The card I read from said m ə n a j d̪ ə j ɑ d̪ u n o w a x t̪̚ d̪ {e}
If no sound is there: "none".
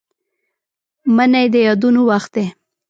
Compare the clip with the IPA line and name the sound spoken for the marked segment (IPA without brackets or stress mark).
e